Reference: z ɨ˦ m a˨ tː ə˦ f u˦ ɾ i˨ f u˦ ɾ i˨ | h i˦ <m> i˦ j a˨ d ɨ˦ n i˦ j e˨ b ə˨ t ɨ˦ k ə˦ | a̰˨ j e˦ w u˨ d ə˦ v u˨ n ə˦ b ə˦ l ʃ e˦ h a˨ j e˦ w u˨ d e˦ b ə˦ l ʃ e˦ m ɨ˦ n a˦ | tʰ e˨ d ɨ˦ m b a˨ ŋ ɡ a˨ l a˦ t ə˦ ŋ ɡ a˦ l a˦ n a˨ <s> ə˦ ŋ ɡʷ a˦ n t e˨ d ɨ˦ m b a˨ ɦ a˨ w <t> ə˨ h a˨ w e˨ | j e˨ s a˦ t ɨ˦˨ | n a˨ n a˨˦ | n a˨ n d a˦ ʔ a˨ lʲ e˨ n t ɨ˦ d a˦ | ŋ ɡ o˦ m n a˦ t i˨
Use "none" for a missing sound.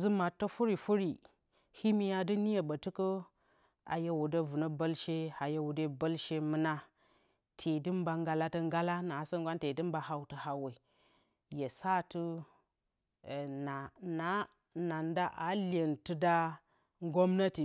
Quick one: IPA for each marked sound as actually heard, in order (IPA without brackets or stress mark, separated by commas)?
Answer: m, s, t